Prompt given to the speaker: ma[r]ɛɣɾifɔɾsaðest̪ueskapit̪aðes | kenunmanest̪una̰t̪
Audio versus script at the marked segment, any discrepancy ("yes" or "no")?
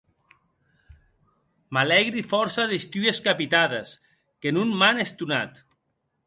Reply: yes